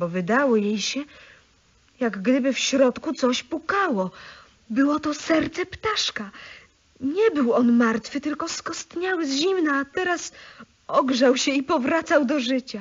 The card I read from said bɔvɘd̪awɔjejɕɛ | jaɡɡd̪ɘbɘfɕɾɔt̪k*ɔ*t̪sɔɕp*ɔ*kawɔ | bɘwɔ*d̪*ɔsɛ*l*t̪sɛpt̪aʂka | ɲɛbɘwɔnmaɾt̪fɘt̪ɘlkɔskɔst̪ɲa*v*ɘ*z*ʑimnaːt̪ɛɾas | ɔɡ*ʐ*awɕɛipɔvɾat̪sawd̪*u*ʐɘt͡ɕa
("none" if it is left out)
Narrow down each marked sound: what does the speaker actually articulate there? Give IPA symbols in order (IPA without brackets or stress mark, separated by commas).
u, u, t̪, ɾ, w, z, ʐ, ɔ